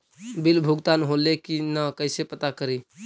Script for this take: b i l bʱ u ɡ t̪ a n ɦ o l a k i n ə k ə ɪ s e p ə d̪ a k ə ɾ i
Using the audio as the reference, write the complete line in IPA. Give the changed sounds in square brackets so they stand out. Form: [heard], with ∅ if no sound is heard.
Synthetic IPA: b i l bʱ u ɡ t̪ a n ɦ o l [e] k i n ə k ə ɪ s e p ə [t̪] a k ə ɾ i